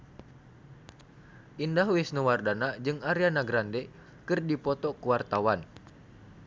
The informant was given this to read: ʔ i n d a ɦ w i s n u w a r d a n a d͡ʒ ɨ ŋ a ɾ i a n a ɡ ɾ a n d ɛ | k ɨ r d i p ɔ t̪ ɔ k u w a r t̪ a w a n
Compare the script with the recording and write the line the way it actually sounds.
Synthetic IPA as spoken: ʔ i n d a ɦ w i s n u w a r d a n a d͡ʒ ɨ ŋ a ɾ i a n a ɡ ɾ a n d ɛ | k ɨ r d i p ɔ t̪ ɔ k u w a r t̪ a w a n